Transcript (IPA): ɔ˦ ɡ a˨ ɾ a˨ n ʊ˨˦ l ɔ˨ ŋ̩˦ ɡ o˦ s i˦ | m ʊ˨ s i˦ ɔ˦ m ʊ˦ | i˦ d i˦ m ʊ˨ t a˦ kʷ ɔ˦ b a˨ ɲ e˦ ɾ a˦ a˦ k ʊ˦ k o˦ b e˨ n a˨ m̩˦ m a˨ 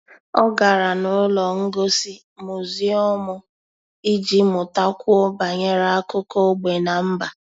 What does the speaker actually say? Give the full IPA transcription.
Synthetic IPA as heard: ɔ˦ ɡ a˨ ɾ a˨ n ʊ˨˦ l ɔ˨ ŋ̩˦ ɡ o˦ s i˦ | m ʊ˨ z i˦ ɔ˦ m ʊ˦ | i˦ d͡ʒ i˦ m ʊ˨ t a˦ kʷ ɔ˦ b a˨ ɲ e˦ ɾ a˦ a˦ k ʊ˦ k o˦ ɡ͡b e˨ n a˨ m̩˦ b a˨

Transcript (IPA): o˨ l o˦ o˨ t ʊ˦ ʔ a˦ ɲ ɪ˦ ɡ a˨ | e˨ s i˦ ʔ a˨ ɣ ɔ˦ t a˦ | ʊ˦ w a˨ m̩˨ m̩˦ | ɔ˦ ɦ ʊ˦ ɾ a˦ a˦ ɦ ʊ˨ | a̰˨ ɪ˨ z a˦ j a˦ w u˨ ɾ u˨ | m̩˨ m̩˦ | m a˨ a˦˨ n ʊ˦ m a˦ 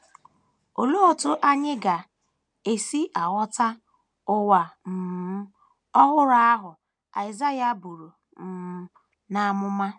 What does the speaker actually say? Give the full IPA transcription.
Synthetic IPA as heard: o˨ l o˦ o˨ t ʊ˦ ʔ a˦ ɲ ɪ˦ ɡ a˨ | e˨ s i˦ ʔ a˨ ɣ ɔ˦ t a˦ | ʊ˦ w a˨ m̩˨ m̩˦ | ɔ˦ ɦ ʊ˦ ɾ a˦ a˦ ɦ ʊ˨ | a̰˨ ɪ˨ z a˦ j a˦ b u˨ ɾ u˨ | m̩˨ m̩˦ | n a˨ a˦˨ m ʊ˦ m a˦

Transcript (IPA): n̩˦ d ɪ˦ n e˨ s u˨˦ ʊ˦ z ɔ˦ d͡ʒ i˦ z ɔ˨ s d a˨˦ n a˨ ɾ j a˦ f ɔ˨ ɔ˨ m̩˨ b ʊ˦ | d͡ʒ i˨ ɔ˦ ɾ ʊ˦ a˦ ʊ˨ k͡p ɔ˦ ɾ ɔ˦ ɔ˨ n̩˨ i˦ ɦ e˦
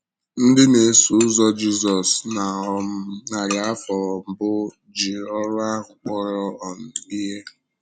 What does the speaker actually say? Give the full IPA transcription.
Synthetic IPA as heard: n̩˦ d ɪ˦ n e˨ s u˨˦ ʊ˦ z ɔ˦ d͡ʒ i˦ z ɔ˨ s n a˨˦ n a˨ ɾ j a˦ f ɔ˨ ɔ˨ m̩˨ b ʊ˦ | d͡ʒ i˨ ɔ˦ ɾ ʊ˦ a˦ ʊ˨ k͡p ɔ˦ ɾ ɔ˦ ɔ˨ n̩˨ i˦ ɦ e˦

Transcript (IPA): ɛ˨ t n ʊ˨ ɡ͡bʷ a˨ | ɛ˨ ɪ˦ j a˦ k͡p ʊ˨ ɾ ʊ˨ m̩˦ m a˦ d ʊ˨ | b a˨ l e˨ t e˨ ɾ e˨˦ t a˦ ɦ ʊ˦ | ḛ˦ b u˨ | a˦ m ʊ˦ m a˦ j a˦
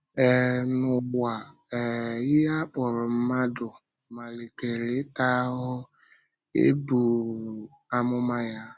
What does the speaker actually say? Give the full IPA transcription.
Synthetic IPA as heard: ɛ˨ n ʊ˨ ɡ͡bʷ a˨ | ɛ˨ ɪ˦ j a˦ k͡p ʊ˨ ɾ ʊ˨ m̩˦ m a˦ d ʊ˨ | m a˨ l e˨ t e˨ ɾ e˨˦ t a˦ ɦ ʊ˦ | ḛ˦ b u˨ | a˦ m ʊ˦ m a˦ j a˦

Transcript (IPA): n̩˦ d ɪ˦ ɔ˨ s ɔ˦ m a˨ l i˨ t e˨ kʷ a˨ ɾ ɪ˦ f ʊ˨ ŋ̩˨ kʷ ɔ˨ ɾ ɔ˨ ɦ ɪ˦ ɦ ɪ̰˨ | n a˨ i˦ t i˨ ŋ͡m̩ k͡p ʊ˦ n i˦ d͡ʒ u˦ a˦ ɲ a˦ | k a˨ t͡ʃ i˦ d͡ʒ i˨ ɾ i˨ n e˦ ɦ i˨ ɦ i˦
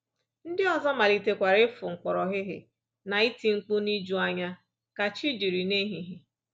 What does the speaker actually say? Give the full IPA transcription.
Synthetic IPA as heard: n̩˦ d ɪ˦ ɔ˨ z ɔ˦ m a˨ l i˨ t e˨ kʷ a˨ ɾ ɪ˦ f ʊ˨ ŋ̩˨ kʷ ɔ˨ ɾ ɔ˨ ɦ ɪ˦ ɦ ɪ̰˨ | n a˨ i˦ t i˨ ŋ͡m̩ k͡p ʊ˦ n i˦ d͡ʒ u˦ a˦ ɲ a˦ | k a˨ t͡ʃ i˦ d͡ʒ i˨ ɾ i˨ n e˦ ɦ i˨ ɦ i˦

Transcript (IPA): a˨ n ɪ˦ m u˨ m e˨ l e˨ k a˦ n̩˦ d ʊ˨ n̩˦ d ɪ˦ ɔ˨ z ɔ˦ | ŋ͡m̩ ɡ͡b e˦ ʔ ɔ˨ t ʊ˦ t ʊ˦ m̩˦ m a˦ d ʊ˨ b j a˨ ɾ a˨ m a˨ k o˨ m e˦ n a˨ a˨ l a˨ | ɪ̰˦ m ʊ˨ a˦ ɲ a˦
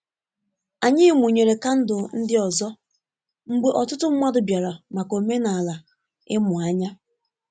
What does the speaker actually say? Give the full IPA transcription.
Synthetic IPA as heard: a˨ ɲ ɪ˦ m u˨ ɲ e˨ ɾ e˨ k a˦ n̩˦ d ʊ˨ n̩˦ d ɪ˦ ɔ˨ z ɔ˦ | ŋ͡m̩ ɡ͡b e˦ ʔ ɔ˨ t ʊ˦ t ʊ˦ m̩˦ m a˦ d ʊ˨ b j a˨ ɾ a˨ m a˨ k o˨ m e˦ n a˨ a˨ l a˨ | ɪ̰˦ m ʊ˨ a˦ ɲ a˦

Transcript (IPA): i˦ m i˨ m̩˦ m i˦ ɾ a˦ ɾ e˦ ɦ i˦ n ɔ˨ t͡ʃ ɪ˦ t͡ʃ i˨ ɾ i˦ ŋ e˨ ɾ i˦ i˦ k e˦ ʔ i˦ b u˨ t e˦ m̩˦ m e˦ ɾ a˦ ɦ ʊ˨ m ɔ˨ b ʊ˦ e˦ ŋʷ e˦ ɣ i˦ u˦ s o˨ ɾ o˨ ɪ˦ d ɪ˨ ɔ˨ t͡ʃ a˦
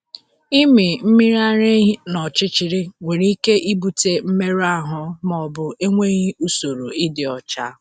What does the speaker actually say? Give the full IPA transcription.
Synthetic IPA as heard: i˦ m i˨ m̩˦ m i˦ ɾ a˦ ɾ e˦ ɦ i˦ n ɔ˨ t͡ʃ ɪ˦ t͡ʃ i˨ ɾ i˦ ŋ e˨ ɾ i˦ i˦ k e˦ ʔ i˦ b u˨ t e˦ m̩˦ m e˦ ɾ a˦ ɦ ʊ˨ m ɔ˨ b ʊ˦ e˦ ŋʷ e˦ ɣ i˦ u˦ s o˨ ɾ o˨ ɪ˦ d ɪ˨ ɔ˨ t͡ʃ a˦

